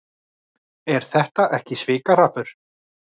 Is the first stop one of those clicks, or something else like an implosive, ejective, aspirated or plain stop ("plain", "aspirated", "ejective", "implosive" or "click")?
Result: plain